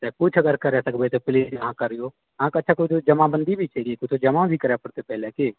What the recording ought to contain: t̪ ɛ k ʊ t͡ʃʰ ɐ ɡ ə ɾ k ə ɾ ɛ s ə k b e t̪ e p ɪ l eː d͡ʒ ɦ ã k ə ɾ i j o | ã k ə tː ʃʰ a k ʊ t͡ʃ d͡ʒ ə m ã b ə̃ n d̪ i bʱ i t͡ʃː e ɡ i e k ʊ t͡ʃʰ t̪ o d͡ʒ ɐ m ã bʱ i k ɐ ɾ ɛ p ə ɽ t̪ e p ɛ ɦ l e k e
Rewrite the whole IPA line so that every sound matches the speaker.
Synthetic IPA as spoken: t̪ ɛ k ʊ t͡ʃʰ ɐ ɡ ə ɾ k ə ɾ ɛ s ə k b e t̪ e p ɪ l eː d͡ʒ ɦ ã k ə ɾ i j o | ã k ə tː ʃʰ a k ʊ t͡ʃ d͡ʒ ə m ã b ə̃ n d̪ i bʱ i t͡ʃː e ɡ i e k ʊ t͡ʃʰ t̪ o d͡ʒ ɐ m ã bʱ i k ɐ ɾ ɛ p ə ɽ t̪ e p ɛ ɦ l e k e